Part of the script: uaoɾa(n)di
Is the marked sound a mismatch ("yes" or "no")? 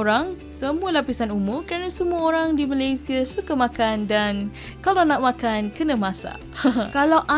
yes